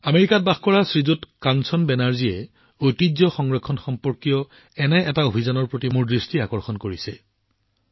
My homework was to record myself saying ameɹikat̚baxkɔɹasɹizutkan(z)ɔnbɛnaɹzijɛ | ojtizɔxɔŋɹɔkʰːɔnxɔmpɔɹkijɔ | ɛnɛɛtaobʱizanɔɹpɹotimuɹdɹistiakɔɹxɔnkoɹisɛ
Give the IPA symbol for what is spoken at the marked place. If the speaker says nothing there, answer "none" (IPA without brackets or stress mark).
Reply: s